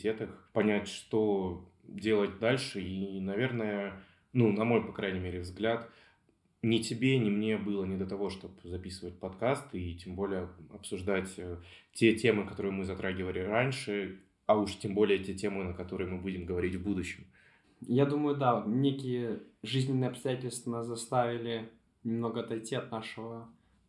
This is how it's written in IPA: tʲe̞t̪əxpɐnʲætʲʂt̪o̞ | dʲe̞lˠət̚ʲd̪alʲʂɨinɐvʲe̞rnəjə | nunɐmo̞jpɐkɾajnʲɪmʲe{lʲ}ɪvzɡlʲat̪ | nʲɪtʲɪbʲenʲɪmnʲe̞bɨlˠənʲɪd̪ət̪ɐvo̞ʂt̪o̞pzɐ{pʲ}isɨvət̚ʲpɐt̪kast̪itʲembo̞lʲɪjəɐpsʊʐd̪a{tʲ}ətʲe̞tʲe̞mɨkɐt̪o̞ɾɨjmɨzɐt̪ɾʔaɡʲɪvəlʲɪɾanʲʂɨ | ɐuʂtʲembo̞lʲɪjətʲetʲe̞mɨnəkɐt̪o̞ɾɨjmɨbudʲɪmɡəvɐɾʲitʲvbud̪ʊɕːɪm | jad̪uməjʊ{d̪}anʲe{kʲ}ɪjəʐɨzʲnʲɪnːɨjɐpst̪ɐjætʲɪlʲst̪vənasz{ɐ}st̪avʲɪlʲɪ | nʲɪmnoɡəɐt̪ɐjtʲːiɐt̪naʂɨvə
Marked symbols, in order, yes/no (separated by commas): no, yes, yes, yes, yes, yes